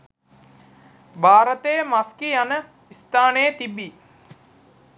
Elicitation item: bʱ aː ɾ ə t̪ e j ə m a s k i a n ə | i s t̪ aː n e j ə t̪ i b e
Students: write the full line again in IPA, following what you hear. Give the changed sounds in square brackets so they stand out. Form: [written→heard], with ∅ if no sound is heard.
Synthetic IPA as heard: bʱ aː ɾ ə t̪ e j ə m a s k i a n ə | i s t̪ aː n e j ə t̪ i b [e→i]